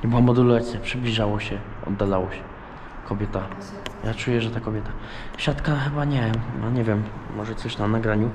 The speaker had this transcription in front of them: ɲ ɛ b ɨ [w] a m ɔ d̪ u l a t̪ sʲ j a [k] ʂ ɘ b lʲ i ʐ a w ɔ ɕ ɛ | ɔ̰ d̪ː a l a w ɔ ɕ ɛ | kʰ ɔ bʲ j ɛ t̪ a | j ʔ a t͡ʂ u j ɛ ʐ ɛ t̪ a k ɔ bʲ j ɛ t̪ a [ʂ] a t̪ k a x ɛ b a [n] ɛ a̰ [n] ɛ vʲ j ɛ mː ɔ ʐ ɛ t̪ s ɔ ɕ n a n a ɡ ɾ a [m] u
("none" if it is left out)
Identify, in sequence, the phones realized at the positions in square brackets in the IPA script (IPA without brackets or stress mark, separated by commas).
w, p, ɕ, ɲ, ɲ, ɲ